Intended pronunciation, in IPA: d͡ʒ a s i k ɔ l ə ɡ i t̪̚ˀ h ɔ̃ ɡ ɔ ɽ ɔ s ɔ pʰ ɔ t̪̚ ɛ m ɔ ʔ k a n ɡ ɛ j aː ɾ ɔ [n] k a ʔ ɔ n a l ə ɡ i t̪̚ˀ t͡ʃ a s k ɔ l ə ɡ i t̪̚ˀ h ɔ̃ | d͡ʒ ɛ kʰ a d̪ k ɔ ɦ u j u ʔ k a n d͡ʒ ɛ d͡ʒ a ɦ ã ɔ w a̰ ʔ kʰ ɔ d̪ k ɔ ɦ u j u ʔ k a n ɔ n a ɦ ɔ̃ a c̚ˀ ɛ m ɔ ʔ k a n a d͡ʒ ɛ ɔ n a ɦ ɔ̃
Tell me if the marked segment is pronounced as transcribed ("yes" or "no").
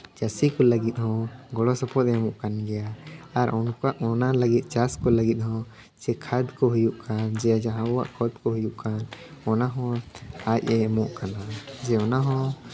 yes